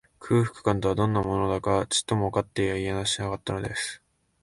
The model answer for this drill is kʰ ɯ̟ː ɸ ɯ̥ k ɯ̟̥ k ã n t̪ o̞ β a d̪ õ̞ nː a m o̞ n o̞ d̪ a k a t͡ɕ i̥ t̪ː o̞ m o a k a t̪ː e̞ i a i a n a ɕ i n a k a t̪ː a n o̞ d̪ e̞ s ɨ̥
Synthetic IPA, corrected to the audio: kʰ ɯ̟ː ɸ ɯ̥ k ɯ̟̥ k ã n t̪ o̞ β a d̪ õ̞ nː a m o̞ n o̞ d̪ a k a t͡ɕ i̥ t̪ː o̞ m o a k a t̪ː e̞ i a i a n a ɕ i n a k a t̪ː a n o̞ d̪ e̞ s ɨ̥